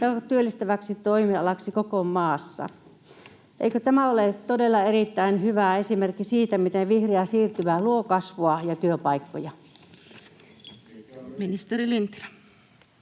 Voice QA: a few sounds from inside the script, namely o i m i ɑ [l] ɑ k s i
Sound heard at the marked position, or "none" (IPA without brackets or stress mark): l